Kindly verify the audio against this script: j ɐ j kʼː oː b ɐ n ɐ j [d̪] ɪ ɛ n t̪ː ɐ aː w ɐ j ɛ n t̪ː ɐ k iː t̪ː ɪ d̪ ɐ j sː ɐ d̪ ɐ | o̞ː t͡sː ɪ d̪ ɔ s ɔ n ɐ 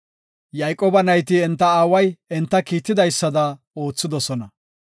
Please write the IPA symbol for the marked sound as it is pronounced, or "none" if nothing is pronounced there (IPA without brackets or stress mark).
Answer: t̪